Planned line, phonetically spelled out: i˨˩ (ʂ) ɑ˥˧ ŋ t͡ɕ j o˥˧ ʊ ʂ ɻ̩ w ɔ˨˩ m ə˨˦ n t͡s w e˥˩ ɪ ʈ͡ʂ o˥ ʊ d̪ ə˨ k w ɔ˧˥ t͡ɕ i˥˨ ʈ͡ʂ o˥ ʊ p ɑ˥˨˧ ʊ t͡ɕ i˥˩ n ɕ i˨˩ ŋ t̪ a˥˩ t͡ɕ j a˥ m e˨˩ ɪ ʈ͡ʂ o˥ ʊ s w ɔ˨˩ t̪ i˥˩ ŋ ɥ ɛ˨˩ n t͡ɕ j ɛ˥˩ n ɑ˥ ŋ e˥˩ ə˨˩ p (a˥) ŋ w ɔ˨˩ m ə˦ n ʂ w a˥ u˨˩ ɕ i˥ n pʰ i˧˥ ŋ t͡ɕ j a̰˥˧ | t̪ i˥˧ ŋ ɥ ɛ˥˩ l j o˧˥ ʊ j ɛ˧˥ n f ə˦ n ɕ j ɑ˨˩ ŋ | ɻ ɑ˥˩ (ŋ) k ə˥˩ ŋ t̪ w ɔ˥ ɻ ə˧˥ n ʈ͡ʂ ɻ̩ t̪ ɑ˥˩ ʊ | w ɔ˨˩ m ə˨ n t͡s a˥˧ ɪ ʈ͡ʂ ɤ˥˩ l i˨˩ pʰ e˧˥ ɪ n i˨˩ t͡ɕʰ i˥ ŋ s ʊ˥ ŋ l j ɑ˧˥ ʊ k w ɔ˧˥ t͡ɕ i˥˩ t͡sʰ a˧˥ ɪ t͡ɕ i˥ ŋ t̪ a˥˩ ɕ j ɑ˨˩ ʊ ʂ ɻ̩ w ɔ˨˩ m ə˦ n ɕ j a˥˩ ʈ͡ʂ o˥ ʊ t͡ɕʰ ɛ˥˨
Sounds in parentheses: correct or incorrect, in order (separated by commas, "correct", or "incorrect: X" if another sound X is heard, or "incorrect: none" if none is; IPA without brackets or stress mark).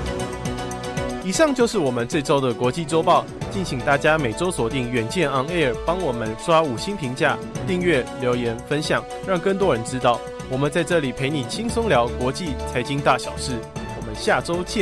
correct, incorrect: ɑ˥, correct